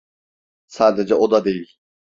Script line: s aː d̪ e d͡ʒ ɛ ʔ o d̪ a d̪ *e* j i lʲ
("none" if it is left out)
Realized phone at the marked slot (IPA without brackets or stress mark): e